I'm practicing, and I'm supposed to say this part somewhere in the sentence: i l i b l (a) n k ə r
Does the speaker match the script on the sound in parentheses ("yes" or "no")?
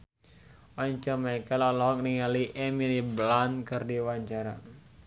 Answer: yes